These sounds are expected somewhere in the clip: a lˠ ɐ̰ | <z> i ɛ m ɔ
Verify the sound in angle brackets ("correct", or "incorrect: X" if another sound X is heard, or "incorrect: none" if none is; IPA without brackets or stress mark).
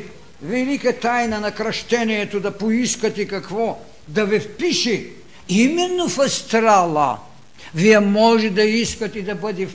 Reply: incorrect: v